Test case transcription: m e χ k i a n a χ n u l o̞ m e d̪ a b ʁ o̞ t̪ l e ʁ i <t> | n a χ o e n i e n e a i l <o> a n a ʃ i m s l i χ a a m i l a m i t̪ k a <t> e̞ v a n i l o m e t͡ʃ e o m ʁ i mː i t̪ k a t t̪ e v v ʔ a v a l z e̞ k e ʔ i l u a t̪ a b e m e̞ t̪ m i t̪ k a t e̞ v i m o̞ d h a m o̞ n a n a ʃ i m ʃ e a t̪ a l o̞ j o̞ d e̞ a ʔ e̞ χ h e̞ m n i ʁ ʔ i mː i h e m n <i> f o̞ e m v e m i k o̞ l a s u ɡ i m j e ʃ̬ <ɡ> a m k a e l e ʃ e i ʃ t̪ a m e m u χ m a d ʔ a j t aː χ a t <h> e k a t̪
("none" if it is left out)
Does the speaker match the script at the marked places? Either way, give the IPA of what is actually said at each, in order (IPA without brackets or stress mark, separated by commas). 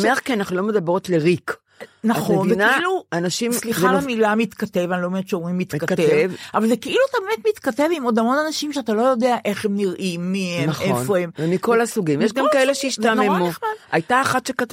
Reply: k, u, t, e, ɡ, ʃ